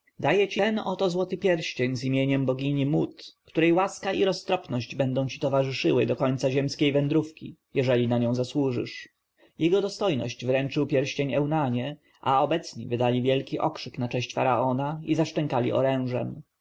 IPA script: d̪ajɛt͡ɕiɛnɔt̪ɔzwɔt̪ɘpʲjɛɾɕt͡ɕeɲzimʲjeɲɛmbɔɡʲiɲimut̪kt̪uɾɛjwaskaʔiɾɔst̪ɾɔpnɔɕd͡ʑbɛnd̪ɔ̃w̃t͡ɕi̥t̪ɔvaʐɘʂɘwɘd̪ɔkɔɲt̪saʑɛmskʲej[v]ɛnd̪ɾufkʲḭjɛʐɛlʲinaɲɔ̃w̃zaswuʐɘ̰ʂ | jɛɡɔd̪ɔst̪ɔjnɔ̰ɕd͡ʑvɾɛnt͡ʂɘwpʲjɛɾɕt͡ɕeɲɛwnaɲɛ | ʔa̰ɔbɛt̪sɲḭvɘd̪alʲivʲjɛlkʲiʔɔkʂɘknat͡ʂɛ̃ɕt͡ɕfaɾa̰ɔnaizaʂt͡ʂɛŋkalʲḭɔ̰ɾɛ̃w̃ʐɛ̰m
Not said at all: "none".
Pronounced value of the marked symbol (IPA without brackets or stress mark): v